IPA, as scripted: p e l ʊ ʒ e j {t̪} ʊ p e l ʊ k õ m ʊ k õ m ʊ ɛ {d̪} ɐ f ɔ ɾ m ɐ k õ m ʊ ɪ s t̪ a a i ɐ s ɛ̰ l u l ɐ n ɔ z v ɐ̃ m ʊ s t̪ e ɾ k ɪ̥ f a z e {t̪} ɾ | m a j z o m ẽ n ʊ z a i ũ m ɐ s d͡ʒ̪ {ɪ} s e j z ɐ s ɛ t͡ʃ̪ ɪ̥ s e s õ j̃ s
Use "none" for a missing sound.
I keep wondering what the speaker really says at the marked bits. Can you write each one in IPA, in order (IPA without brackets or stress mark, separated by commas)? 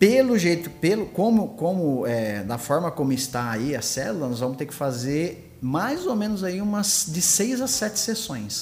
t̪, d̪, none, ɪ